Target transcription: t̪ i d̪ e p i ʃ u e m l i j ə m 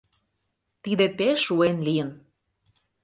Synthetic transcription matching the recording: t̪ i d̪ e p e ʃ u e n l i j ə n

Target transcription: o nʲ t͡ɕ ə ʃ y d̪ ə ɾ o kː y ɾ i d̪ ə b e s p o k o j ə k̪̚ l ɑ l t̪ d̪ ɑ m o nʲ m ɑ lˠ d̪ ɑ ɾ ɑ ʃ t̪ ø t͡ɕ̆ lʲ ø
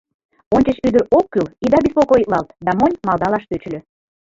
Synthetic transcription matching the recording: o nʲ t͡ɕ ə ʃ y d̪ ə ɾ o kː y l i d̪ ɑ b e s p o k o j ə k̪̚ l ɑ l t̪ d̪ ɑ m o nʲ m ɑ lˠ d̪ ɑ l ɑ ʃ t̪ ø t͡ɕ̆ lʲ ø

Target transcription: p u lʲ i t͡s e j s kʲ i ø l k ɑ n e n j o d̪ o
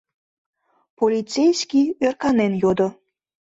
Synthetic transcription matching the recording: p o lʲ i t͡s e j s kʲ i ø r k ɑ n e n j o d̪ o

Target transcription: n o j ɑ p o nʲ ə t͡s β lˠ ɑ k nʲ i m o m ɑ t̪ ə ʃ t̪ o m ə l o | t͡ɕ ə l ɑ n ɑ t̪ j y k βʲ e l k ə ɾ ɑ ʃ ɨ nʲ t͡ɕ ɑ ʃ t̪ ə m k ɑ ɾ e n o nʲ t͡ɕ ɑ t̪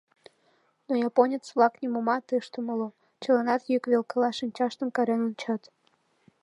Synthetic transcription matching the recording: n o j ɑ p o nʲ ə t͡s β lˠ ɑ k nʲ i m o m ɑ t̪ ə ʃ t̪ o m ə l o | t͡ɕ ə l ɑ n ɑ t̪ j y k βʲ e l k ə l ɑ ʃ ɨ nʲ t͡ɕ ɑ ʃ t̪ ə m k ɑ ɾ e n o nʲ t͡ɕ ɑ t̪

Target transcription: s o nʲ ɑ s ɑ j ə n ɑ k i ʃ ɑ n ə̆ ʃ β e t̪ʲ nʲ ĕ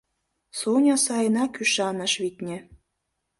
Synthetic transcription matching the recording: s o nʲ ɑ s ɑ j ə n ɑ k y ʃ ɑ n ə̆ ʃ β i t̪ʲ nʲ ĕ

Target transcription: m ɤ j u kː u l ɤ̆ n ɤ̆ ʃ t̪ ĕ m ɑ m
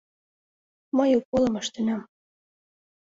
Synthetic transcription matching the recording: m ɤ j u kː o l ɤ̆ m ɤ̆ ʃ t̪ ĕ n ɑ m

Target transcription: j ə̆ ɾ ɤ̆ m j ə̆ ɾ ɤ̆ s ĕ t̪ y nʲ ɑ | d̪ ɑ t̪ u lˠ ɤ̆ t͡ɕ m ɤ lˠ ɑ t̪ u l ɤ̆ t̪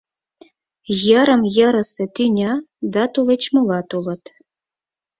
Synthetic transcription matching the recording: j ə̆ ɾ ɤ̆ m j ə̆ ɾ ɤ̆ s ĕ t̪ y nʲ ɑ | d̪ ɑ t̪ u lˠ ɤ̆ t͡ɕ m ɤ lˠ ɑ t̪ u l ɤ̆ t̪

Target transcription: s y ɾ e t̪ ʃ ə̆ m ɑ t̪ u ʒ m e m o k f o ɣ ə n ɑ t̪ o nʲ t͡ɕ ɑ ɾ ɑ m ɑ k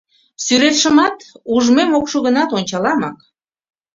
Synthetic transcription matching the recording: s y ɾ e t̪ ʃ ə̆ m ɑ t̪ u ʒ m e m o k ʃ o ɣ ə n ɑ t̪ o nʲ t͡ɕ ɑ l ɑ m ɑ k

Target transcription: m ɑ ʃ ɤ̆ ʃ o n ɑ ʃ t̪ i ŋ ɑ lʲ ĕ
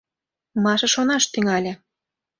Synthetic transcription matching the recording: m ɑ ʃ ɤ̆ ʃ o n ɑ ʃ t̪ y ŋ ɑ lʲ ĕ

